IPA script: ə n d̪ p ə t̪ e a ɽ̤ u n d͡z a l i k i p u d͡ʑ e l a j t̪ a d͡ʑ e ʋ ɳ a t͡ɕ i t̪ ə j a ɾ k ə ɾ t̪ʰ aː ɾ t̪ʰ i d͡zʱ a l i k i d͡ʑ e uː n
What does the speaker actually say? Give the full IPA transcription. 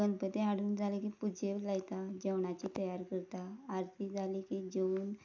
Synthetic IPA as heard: ə n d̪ p ə t̪ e a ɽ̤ uː n d͡z a l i k i p u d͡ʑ e l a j t̪ a d͡ʑ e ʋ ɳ a t͡ɕ i t̪ ə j a ɾ k ə ɾ t̪ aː ɾ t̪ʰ i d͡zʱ a l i k i d͡ʑ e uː n